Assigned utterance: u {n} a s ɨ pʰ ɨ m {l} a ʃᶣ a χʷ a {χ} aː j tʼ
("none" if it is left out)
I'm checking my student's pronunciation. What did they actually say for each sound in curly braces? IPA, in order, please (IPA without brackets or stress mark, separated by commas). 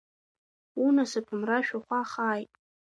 n, r, χ